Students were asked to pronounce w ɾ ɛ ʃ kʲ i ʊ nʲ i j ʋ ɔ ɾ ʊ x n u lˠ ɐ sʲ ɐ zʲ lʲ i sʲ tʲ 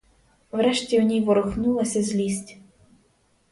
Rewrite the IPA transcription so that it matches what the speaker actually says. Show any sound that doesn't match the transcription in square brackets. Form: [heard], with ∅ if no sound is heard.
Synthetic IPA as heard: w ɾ ɛ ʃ [tʲ] i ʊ nʲ i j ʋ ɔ ɾ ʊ x n u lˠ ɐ sʲ ɐ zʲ lʲ i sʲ tʲ